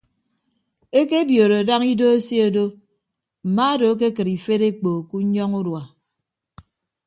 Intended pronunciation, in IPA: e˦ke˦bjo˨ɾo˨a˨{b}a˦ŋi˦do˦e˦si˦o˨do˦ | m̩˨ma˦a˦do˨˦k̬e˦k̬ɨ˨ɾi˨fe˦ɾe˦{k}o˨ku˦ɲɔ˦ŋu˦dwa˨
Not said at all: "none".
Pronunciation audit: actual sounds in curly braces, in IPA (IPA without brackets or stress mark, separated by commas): d, k͡p